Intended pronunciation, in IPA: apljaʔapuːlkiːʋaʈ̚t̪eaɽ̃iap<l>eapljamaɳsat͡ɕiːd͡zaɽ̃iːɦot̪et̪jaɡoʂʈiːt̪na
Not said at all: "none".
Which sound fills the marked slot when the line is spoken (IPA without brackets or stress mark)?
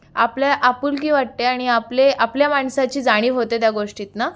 l